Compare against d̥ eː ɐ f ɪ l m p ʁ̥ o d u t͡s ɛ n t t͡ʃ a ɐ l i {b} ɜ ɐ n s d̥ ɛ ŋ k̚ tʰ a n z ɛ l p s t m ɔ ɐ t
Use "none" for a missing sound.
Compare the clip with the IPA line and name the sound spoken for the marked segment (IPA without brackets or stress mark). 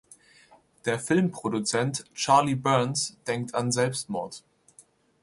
b